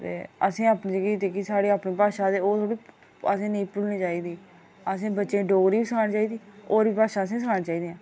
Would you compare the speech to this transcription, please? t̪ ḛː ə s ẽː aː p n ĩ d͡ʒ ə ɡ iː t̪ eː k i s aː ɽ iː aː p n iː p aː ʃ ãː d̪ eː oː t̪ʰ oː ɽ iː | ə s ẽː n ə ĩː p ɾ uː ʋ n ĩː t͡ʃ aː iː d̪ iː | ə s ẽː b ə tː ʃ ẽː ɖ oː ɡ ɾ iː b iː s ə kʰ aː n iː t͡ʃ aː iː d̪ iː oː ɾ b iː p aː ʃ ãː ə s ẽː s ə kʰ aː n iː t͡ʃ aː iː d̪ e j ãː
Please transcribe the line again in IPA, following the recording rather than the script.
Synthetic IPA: t̪ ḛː ə s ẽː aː p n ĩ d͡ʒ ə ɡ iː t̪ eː k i s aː ɽ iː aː p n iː p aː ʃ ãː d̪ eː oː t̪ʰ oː ɽ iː | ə s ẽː n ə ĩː p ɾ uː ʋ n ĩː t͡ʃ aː iː d̪ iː | ə s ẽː b ə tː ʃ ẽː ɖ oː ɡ ɾ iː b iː s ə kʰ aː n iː t͡ʃ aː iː d̪ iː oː ɾ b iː p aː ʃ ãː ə s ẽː s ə kʰ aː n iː t͡ʃ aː iː d̪ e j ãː